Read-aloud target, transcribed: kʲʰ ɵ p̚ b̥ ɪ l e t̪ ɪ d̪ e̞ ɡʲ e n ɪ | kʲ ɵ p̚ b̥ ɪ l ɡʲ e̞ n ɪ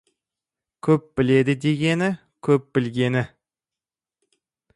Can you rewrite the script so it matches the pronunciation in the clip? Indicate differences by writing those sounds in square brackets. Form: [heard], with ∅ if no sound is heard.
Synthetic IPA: kʲʰ ɵ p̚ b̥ ɪ l e [d̪] ɪ d̪ e̞ ɡʲ e n ɪ | [kʲʰ] ɵ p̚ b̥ ɪ l ɡʲ e̞ n ɪ